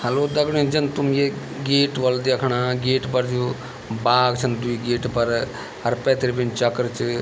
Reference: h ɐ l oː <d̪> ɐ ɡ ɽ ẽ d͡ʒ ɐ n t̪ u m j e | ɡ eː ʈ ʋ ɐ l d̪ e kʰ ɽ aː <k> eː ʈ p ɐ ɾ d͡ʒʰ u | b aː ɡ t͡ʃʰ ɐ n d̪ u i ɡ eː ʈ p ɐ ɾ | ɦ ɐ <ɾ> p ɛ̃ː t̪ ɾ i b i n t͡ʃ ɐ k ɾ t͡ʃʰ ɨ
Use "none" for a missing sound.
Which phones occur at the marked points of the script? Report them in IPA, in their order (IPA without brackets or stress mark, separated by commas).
d̪, ɡ, ɾ